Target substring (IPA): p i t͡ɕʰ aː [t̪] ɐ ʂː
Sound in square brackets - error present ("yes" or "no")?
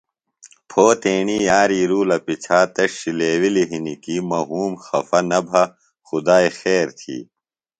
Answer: no